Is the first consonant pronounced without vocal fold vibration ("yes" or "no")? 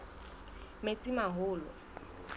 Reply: no